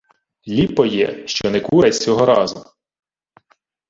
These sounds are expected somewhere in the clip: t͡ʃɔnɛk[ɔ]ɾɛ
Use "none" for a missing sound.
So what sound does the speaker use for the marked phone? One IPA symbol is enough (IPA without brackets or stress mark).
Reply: u